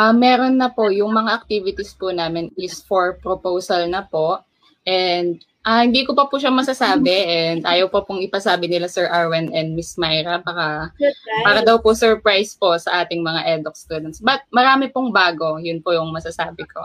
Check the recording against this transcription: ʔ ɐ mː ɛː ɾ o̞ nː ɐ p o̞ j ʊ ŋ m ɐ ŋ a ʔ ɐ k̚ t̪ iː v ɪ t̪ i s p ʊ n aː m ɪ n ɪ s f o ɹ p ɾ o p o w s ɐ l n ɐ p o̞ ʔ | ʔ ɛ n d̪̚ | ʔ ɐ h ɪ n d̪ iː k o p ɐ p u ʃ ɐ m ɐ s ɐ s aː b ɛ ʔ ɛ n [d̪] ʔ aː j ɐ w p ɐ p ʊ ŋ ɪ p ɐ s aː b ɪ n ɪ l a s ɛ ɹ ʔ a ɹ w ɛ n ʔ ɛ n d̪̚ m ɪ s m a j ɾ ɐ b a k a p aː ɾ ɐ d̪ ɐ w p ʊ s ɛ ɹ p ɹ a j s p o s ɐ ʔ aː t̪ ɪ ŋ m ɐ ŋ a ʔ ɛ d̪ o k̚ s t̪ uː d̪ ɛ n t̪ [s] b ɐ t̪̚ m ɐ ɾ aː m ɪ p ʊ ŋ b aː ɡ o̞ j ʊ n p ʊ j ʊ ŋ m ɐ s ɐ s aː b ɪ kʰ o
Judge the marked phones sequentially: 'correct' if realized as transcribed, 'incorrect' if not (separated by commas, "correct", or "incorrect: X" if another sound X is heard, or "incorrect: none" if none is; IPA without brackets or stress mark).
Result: correct, correct